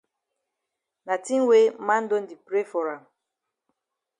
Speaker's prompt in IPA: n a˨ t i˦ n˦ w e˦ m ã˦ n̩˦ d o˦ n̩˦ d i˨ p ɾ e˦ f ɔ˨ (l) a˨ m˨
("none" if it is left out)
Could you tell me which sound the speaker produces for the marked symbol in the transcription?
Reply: ɾ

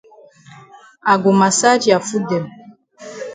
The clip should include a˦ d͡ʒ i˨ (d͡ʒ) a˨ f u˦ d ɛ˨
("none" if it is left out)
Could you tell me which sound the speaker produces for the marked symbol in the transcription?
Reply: none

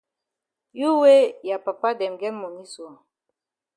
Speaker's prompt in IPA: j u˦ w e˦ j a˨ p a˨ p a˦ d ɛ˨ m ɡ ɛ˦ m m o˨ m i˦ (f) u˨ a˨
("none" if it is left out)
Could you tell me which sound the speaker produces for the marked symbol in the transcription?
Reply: s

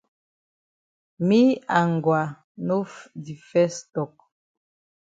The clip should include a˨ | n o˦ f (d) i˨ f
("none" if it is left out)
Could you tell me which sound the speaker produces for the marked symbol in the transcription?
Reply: d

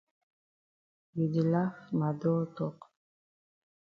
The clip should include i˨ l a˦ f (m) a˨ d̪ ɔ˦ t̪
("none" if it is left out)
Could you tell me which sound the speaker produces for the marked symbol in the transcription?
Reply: m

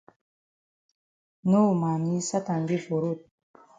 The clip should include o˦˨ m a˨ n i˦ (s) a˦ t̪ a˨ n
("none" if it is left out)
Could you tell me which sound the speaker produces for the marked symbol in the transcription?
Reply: s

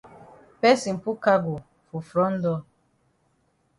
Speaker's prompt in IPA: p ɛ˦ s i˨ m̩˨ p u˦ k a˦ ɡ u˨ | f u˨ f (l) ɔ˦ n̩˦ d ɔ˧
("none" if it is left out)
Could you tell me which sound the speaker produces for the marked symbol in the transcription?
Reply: ɾ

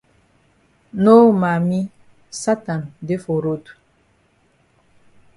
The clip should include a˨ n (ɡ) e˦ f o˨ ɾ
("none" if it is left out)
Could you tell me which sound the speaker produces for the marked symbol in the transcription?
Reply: d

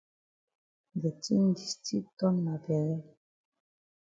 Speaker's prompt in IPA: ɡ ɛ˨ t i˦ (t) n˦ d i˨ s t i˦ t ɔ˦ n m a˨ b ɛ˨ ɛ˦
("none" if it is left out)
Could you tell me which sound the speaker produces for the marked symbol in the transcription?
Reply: none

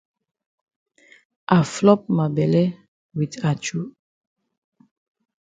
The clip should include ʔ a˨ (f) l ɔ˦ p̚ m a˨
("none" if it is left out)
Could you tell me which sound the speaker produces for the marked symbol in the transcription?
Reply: f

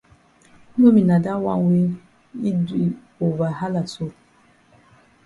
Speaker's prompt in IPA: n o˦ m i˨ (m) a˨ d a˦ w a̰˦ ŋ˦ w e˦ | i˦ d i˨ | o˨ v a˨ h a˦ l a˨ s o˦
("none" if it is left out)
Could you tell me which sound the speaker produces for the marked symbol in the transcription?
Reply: n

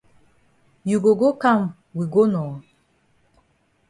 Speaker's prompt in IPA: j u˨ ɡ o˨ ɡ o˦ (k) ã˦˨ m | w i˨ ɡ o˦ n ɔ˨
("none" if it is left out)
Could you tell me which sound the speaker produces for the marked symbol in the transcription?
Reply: k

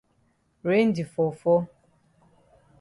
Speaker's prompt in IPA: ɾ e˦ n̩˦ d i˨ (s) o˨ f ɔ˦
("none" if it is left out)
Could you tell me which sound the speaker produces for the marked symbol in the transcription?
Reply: f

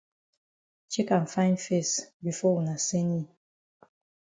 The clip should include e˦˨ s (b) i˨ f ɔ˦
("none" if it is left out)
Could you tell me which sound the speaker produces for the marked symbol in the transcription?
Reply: b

